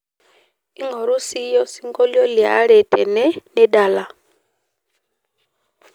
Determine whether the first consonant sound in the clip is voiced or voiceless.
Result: voiced